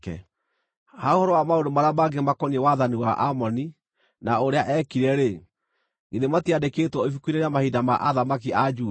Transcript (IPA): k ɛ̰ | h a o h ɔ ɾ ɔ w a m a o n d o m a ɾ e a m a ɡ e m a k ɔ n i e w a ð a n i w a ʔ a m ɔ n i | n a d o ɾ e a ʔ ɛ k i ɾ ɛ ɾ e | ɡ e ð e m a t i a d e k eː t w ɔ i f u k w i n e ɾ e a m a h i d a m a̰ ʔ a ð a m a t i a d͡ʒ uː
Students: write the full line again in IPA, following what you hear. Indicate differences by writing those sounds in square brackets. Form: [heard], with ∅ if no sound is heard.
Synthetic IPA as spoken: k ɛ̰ | h a o h ɔ ɾ ɔ w a m a o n d o m a ɾ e a m a ɡ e m a k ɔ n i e w a ð a n i w a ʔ a m ɔ n i | n a [∅] o ɾ e a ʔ ɛ k i ɾ ɛ ɾ e | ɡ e ð e m a t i a d e k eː t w ɔ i f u k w i n e ɾ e a m a h i d a m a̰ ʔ a ð a m a [k] i a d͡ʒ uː